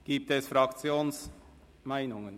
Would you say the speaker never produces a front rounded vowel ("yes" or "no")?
yes